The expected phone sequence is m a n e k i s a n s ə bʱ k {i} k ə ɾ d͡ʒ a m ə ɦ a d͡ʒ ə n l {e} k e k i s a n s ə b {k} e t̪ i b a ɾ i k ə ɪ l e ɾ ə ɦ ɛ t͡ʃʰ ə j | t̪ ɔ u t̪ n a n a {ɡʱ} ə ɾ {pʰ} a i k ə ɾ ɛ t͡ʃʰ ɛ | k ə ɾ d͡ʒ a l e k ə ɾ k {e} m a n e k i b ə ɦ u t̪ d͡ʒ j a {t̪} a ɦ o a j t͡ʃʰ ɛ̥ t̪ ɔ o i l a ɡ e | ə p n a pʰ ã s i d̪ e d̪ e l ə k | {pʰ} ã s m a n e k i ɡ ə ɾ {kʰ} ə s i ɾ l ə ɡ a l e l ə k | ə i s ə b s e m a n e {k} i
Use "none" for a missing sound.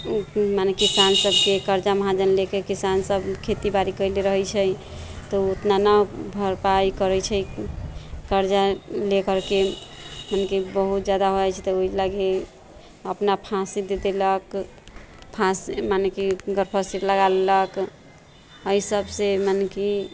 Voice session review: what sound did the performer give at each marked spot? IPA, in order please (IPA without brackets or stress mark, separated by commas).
e, e, kʰ, bʱ, p, e, d̪, pʰ, pʰ, k